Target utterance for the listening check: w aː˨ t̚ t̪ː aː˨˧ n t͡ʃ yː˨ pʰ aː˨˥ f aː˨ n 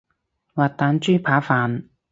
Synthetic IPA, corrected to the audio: w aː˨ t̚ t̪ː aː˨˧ n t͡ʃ yː˥ pʰ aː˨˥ f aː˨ n